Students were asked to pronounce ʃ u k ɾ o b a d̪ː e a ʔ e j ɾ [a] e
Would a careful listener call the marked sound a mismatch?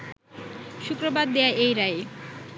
no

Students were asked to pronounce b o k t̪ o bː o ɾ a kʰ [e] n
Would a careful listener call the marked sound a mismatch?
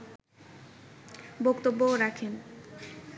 no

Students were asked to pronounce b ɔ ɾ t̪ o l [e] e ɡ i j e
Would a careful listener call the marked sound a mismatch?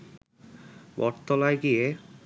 yes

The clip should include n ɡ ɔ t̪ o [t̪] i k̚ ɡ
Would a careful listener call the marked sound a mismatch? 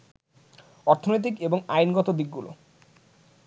yes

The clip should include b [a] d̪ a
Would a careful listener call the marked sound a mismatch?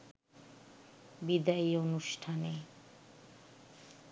yes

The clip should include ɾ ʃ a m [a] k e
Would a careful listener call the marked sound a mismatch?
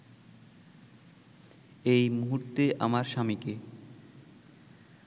yes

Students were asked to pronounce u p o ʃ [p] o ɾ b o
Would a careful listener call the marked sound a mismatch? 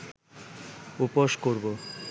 yes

